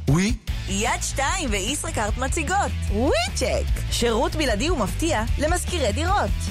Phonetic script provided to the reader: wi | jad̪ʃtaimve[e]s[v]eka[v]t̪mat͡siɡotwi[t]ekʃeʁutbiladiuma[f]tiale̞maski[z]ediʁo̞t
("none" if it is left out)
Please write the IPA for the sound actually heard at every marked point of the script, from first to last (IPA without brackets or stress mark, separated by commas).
i, ʁ, ʁ, t͡ʃ, f, ʁ